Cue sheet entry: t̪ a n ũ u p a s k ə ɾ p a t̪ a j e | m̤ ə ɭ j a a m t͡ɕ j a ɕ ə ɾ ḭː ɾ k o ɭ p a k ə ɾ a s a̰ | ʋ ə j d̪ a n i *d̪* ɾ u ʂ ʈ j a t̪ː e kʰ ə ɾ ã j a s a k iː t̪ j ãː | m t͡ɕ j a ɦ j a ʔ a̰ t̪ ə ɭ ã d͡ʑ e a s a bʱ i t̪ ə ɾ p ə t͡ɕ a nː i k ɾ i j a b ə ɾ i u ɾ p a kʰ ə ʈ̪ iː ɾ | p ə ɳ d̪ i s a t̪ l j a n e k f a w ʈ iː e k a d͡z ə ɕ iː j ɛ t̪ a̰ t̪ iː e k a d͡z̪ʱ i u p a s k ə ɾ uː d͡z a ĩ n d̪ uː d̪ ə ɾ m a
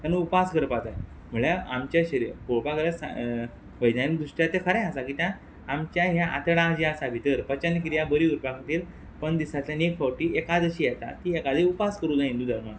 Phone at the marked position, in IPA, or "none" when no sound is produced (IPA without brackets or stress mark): d̪